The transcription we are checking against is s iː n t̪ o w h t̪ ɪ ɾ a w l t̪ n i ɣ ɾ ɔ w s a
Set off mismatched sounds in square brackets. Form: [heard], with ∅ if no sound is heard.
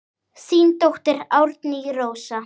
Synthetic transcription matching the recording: s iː n t̪ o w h t̪ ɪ ɾ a w [ɾ] t̪ n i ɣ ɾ [o] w s a